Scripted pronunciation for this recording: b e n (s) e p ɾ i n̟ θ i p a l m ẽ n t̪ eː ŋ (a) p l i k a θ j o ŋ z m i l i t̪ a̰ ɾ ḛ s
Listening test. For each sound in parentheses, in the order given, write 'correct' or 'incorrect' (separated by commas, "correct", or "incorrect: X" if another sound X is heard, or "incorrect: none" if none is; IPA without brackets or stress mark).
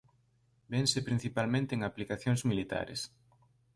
correct, correct